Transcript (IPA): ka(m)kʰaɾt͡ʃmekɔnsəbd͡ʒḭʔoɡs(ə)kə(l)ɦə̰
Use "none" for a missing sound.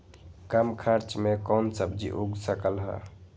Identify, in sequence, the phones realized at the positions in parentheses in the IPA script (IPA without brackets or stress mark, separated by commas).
m, ə, l